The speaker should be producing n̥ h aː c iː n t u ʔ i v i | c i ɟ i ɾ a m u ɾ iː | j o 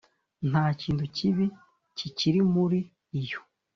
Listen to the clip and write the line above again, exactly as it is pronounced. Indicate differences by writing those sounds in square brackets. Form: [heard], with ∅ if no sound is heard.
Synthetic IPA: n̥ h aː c iː n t u [c] i [β] i | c i [c] i ɾ [i] m u ɾ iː | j o